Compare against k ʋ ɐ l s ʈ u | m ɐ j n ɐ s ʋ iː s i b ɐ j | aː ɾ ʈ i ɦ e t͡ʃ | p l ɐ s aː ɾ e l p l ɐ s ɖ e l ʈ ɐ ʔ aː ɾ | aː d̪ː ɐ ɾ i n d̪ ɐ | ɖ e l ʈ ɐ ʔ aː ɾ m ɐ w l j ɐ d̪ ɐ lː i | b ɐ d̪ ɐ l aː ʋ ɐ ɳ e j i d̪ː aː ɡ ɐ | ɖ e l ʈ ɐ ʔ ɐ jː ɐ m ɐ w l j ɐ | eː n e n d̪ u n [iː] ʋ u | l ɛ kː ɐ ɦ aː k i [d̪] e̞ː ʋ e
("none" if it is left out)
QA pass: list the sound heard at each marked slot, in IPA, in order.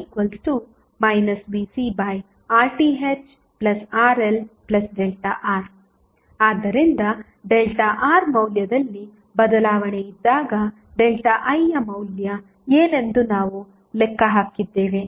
aː, d̪ː

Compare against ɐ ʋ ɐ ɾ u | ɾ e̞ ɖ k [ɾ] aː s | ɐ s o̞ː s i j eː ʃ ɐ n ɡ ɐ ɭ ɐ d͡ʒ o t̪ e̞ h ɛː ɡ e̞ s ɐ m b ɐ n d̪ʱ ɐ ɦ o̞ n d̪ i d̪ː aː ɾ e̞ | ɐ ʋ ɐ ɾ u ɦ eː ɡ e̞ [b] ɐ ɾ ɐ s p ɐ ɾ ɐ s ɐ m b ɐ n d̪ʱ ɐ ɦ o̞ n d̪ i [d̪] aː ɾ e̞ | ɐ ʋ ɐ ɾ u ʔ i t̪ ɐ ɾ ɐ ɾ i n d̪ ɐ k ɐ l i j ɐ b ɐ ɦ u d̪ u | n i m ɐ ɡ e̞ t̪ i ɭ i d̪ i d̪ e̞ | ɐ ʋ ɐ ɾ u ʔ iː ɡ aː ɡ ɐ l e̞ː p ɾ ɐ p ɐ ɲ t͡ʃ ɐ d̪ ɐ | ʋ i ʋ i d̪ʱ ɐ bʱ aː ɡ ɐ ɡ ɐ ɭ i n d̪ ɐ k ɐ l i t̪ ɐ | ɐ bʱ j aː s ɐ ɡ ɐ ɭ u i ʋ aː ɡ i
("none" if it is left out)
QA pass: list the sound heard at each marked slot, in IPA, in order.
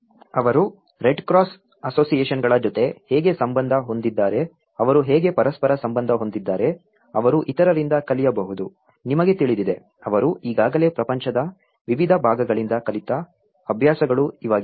ɾ, p, d̪ː

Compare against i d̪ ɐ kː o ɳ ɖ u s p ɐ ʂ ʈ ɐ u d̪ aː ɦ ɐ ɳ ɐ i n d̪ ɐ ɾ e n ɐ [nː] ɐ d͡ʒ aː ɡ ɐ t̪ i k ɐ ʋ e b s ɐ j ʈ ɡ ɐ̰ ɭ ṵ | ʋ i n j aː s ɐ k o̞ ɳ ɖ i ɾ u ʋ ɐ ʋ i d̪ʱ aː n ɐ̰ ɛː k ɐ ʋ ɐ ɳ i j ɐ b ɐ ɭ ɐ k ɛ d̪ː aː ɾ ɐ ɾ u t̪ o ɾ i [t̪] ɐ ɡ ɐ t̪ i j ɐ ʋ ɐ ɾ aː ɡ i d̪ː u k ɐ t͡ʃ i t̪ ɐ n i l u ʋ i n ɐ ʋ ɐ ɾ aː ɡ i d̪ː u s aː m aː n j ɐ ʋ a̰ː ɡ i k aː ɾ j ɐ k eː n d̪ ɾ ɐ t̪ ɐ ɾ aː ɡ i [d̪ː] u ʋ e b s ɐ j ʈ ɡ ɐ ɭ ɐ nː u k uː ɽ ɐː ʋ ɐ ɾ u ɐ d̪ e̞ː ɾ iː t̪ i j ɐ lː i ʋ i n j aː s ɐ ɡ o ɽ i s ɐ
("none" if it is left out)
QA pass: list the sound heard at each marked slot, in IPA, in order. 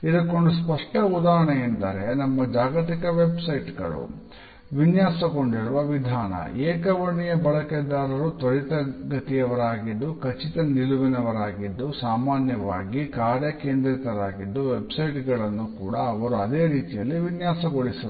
mː, t̪, d̪ː

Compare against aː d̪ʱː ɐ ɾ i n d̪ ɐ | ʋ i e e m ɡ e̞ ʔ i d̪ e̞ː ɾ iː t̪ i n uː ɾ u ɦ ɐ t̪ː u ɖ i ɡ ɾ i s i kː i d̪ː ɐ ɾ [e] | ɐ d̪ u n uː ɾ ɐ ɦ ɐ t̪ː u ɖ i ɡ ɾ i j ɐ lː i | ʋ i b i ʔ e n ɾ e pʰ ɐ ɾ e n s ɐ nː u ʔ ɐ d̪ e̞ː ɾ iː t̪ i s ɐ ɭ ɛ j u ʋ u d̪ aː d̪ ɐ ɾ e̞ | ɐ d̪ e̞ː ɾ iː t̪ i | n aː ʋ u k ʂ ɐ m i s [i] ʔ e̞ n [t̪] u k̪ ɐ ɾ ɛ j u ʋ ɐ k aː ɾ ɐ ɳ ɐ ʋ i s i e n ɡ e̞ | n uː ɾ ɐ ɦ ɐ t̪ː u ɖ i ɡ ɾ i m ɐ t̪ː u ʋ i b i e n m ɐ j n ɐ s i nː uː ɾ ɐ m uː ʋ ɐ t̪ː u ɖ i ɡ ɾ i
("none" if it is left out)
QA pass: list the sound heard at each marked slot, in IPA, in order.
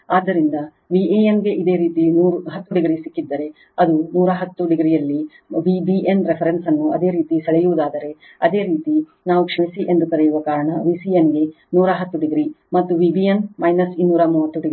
e, i, d̪

